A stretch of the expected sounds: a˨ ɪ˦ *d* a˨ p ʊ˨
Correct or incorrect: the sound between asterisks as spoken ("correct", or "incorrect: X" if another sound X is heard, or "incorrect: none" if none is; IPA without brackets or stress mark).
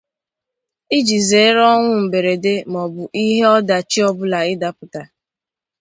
correct